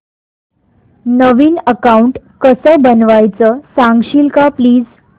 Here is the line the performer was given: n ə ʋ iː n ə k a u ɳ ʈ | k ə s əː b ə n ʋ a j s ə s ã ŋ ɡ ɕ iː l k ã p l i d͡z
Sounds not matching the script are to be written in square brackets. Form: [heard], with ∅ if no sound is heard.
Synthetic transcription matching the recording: n ə ʋ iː n ə k a u ɳ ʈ | k ə s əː b ə n ʋ a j [t͡s] ə s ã ŋ ɡ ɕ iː l k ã p l [iː] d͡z

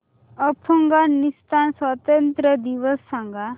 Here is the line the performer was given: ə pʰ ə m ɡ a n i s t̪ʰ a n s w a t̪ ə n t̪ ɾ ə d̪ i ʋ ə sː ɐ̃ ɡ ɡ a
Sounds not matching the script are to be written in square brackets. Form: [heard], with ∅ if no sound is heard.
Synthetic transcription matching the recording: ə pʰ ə [ŋ] ɡ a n i s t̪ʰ a n s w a t̪ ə n t̪ ɾ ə d̪ i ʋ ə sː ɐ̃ [ŋ] ɡ a

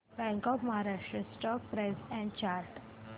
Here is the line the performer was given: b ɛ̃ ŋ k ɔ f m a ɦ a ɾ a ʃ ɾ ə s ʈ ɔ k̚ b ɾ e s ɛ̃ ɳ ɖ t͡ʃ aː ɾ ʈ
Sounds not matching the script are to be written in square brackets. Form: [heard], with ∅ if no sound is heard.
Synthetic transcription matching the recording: b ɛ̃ ŋ k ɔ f m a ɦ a ɾ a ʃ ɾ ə s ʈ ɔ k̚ [p] ɾ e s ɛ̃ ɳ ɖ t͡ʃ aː ɾ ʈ

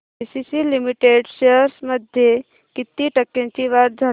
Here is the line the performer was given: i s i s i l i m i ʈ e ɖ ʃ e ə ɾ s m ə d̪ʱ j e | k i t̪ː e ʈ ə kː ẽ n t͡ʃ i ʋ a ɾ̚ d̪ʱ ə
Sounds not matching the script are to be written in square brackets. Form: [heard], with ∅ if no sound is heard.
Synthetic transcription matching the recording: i s i s i l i m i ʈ e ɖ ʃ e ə ɾ s m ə d̪ʱ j e | k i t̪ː [i] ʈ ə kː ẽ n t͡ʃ i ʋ a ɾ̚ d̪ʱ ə

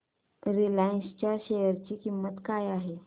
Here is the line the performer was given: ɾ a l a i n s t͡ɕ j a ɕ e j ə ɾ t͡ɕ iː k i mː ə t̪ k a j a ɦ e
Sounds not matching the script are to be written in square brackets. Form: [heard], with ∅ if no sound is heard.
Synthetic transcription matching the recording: ɾ [i] l a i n s t͡ɕ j a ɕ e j ə ɾ t͡ɕ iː k i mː ə t̪ k a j a ɦ e

